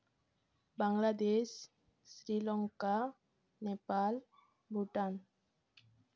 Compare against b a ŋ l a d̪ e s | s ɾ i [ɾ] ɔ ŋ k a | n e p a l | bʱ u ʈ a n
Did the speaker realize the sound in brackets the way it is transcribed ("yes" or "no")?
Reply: no